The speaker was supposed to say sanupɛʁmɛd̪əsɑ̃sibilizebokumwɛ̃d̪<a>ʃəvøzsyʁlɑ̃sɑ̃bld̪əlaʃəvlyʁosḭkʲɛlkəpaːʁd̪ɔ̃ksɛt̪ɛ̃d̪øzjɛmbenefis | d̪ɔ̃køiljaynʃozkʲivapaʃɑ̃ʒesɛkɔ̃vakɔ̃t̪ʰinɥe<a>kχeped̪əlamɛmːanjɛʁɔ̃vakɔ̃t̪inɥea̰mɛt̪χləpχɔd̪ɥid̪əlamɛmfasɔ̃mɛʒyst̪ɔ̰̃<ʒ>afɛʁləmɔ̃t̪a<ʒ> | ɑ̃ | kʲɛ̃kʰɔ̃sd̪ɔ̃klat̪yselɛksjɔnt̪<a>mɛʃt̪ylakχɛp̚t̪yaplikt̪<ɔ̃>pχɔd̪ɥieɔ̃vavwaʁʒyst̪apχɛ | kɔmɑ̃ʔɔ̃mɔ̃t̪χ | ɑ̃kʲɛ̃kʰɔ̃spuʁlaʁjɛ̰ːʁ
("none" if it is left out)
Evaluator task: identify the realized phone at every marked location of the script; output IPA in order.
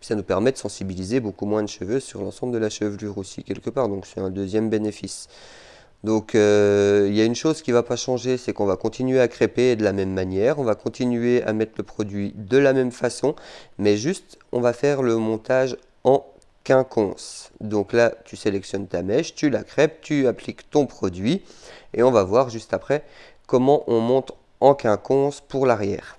ə, a, v, ʒ, a, ɔ̃

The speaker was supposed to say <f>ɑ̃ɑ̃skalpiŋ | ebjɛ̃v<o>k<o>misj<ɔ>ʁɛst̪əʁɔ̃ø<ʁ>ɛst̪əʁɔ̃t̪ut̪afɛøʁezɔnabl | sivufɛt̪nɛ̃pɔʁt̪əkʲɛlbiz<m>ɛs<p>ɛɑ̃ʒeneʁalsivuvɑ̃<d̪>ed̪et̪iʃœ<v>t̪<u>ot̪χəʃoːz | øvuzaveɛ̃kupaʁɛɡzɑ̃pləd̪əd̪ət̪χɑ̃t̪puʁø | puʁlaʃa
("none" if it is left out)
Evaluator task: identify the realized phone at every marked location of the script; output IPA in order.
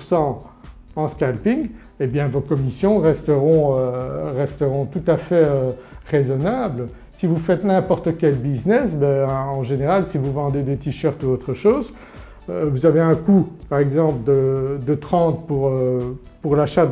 s, o, ɔ, ɔ̃, ʁ, n, b, d̪, ʁ, u

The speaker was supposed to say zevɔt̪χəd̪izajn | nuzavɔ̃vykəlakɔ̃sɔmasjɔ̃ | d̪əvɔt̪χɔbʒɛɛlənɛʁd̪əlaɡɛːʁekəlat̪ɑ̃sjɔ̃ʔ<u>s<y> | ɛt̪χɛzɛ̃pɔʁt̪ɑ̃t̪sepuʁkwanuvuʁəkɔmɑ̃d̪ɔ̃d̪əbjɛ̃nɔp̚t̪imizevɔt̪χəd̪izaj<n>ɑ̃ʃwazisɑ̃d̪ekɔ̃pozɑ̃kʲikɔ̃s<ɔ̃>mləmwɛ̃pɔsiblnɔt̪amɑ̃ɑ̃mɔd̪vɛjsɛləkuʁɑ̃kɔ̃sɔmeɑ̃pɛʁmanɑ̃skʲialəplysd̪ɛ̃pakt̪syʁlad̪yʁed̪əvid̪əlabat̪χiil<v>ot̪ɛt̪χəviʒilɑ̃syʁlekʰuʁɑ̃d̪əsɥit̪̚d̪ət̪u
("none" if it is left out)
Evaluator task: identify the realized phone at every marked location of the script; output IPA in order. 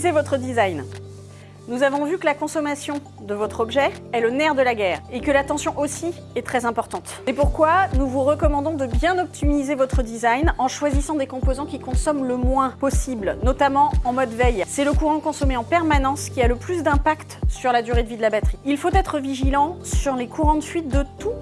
o, i, n, ɔ, f

